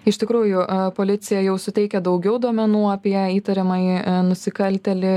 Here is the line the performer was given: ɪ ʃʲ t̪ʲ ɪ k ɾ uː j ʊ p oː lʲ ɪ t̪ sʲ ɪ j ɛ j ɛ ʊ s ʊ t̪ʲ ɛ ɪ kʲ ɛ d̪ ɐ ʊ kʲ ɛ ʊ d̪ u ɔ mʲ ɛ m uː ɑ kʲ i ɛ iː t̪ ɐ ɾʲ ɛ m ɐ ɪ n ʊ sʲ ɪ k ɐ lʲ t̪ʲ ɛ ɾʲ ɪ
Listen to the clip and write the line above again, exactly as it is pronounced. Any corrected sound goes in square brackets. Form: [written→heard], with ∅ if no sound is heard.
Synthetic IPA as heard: ɪ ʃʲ t̪ʲ ɪ k ɾ uː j ʊ p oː lʲ ɪ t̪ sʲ ɪ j ɛ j ɛ ʊ s ʊ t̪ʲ ɛ ɪ kʲ ɛ d̪ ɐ ʊ [kʲ→ɡʲ] ɛ ʊ d̪ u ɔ mʲ ɛ [m→n] uː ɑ [kʲ→pʲ] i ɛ iː t̪ ɐ ɾʲ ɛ m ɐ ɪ n ʊ sʲ ɪ k ɐ lʲ t̪ʲ ɛ [ɾʲ→lʲ] ɪ